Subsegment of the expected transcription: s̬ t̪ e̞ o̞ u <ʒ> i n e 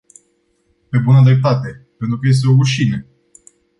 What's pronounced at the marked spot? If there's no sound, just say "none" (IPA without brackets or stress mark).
ʃ